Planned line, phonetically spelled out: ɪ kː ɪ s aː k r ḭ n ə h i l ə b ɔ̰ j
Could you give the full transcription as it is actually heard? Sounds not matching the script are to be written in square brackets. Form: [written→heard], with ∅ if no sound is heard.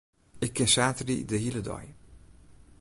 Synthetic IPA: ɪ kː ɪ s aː [k→t] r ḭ [n→d] ə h i l ə [b→d] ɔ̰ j